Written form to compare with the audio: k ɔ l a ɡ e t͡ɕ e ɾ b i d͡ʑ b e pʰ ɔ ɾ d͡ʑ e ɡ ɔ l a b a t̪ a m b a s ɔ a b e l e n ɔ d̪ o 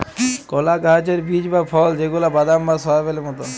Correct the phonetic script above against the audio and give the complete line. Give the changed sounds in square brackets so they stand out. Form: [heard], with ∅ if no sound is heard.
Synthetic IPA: k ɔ l a ɡ [a] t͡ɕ e ɾ b i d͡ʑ b [a] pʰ ɔ [l] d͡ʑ e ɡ [u] l a b a [d̪] a m b a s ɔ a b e l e [m] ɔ [t̪] o

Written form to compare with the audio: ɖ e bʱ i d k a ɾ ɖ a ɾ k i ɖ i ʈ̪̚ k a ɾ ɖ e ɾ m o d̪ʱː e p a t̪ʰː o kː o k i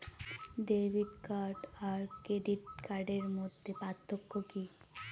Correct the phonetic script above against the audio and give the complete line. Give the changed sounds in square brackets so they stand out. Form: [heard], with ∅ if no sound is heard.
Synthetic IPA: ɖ e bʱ i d k a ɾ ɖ a ɾ k [e] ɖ i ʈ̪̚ k a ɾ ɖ e ɾ m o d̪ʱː e p a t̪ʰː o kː o k i

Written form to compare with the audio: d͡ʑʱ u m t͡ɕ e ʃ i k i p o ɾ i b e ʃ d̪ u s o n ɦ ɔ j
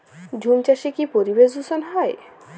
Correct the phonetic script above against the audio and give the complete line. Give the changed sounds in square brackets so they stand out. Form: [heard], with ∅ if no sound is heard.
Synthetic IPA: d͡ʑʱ u m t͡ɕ [a] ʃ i k i p o ɾ i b e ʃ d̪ u s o n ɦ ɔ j

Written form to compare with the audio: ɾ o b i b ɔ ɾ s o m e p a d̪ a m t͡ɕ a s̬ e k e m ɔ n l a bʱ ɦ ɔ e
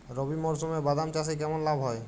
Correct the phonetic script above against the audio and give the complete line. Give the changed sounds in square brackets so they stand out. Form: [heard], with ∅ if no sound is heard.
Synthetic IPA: ɾ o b i [m] ɔ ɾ s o m e [b] a d̪ a m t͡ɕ a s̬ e k [ɛ] m [o] n l a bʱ ɦ ɔ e

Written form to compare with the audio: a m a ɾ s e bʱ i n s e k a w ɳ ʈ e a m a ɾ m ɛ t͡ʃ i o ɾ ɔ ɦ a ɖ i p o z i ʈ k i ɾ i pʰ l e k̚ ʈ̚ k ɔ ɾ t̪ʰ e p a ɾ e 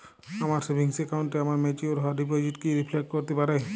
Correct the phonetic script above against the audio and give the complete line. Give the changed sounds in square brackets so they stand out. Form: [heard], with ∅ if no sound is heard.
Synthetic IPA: a m a ɾ s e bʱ i [ŋ] s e k a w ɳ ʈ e a m a ɾ m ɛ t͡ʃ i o ɾ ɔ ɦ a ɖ i p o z i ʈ k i ɾ i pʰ l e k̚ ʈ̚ k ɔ ɾ [t̪] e p a ɾ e

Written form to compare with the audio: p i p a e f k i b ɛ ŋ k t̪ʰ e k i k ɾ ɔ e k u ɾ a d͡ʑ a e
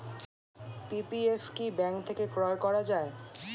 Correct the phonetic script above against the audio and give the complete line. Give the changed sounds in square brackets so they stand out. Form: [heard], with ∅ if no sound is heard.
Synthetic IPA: p i p [i] e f k i b ɛ ŋ k t̪ʰ e k [e] k ɾ ɔ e k [ɔ] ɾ a d͡ʑ a e

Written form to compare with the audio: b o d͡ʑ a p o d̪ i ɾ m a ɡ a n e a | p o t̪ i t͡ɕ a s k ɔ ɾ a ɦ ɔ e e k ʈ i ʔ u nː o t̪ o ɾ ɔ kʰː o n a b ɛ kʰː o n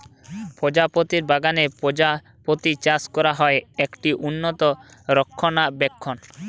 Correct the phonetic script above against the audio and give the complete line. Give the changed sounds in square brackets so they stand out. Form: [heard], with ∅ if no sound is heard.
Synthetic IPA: [p] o d͡ʑ a p o [t̪] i ɾ [b] a ɡ a n e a | p o t̪ i t͡ɕ a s k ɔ ɾ a ɦ ɔ e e k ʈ i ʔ u nː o t̪ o ɾ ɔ kʰː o n a b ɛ kʰː o n

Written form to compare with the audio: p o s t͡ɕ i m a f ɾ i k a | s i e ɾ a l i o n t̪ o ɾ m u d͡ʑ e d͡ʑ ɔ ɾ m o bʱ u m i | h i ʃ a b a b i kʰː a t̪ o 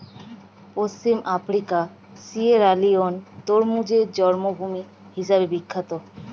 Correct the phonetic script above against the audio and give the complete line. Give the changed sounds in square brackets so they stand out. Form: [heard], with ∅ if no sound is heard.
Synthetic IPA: p o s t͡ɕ i m a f ɾ i k a | s i e ɾ a l i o n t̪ o ɾ m u d͡ʑ e d͡ʑ ɔ ɾ m o bʱ u m i | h i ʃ a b [e] b i kʰː a t̪ o

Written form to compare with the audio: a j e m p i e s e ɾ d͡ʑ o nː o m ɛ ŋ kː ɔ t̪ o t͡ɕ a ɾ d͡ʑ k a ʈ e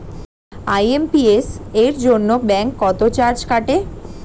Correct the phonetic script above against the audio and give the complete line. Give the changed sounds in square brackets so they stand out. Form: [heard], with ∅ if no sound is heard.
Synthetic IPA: a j e m p i e s e ɾ d͡ʑ o nː o [b] ɛ ŋ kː ɔ t̪ o t͡ɕ a ɾ d͡ʑ k a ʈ e

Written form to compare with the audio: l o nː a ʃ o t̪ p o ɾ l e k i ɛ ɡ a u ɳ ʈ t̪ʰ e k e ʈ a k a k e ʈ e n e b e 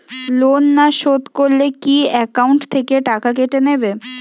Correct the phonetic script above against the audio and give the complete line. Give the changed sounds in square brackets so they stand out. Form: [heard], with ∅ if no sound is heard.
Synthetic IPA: l o nː a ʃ o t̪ [k] o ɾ l e k i ɛ [k] a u ɳ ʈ t̪ʰ e k e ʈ a k a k e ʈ e n e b e

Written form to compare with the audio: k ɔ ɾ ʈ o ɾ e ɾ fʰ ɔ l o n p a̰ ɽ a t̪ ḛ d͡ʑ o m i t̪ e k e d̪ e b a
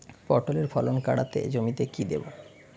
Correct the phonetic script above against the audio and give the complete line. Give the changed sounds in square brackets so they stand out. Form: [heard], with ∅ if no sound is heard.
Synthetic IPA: [p] ɔ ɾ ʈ o [l] e ɾ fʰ ɔ l o n [k] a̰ ɽ a t̪ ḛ d͡ʑ o m i t̪ e k [i] d̪ e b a

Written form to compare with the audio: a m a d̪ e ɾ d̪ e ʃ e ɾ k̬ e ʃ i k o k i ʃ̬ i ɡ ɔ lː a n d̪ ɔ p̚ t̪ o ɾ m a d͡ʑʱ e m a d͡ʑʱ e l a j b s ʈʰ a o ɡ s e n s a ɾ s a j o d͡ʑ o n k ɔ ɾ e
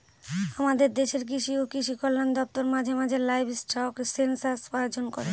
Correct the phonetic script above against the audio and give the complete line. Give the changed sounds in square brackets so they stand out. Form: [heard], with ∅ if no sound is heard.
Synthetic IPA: a m a d̪ e ɾ d̪ e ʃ e ɾ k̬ [i] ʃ i [∅] o k i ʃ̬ i [k] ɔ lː a n d̪ ɔ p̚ t̪ o ɾ m a d͡ʑʱ e m a d͡ʑʱ e l a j b s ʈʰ a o [k] s e n s a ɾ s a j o d͡ʑ o n k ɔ ɾ e

